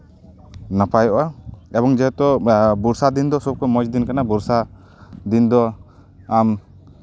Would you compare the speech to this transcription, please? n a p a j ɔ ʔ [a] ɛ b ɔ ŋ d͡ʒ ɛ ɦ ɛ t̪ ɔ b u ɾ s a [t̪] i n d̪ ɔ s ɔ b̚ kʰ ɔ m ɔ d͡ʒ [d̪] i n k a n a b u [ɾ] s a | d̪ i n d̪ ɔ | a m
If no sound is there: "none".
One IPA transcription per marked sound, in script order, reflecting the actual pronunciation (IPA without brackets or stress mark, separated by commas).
a, d̪, d̪, ɾ